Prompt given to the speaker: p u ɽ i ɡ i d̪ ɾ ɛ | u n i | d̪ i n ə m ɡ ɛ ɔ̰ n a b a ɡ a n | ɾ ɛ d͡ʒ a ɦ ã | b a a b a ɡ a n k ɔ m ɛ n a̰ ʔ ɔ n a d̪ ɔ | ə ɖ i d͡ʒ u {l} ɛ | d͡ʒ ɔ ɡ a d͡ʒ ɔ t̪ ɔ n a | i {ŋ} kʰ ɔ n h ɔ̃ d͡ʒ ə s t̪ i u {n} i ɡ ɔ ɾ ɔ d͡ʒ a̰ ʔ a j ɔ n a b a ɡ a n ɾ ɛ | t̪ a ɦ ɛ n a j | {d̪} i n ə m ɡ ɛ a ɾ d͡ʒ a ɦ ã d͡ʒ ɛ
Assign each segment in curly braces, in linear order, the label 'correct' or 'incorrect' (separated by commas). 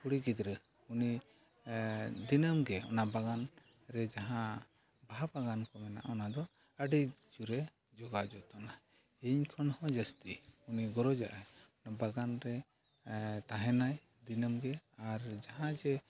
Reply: incorrect, incorrect, correct, correct